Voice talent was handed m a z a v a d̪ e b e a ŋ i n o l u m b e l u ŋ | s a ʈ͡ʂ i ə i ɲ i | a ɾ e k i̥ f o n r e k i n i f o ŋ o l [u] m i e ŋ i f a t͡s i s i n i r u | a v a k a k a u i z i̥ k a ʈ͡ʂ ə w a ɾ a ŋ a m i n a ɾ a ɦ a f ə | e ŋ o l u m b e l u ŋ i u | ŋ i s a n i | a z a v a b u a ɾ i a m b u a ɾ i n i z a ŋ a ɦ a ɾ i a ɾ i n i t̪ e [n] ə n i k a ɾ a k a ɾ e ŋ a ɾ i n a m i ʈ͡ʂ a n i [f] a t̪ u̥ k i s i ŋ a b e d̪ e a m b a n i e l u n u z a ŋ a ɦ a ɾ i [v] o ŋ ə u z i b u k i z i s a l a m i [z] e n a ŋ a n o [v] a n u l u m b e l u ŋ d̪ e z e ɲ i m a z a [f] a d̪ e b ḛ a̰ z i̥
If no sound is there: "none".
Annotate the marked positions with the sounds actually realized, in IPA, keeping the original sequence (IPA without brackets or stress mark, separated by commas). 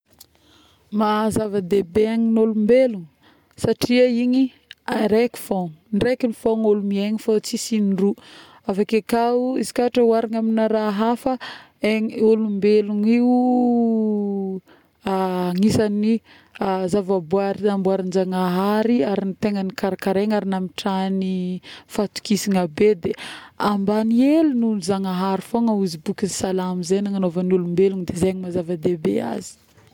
u, ŋ, f, f, z, v, v